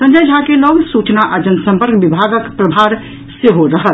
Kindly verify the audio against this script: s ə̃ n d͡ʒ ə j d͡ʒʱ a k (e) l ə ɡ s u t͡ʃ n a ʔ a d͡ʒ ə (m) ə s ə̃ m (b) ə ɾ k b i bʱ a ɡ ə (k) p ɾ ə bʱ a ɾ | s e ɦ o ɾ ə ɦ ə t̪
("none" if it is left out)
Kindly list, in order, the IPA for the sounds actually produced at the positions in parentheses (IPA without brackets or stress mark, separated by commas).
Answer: e, n, p, k